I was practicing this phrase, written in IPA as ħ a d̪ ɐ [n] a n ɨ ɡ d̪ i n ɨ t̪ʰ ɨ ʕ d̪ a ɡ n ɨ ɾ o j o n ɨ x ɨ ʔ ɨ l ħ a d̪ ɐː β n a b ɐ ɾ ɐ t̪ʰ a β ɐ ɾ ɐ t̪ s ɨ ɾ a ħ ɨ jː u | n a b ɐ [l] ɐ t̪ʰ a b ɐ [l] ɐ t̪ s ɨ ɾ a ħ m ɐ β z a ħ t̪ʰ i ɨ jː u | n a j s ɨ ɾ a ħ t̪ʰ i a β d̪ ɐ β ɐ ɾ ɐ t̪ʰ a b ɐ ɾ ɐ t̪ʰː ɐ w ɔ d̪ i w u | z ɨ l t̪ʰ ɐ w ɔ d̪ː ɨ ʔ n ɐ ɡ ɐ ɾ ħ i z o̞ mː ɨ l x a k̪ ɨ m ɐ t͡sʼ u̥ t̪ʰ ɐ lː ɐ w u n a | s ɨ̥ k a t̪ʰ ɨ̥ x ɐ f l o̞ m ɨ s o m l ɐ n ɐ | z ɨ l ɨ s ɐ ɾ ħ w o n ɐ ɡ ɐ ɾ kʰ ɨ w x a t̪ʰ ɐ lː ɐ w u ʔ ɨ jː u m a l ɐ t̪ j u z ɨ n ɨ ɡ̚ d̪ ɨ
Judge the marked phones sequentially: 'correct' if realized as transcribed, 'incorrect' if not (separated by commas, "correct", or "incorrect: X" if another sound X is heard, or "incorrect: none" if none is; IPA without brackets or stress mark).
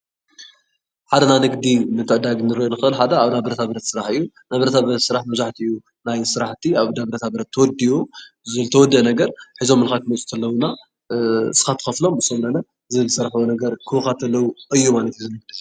correct, incorrect: ɾ, incorrect: ɾ